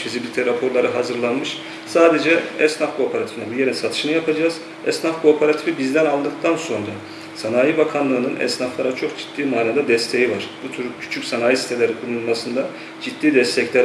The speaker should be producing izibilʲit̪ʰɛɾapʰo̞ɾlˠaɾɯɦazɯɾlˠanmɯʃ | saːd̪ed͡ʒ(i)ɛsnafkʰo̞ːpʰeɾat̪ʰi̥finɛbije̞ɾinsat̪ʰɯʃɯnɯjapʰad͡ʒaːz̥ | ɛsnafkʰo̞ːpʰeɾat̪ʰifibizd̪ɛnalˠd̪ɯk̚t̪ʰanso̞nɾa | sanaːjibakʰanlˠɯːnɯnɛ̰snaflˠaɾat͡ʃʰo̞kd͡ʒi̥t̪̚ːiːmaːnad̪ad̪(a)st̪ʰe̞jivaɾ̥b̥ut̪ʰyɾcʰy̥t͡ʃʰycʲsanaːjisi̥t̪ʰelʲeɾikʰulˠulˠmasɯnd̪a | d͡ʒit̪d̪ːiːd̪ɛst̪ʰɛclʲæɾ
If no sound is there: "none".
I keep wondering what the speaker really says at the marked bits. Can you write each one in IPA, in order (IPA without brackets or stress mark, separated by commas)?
ɛ, ɛ